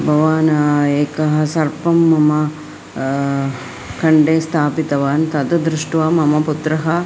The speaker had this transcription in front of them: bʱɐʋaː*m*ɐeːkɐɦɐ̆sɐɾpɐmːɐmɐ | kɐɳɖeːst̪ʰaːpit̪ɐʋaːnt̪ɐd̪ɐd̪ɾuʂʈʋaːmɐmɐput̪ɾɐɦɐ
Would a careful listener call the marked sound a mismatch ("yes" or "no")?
yes